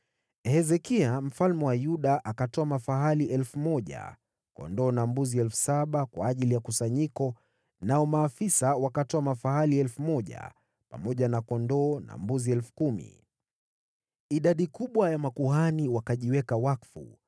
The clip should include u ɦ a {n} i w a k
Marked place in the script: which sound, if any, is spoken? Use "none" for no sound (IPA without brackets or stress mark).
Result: n